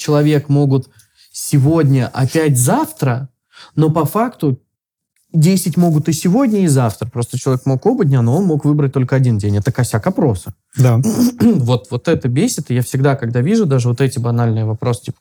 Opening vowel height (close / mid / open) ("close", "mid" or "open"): close